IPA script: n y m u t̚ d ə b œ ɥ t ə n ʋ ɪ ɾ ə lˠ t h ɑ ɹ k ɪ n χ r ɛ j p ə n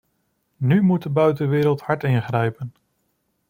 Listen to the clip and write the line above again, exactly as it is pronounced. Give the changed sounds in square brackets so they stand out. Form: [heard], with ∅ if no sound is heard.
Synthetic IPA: n y m u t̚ d ə b œ ɥ t ə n ʋ [ɪː] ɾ ə lˠ t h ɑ ɹ [t] ɪ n χ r ɛ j p ə n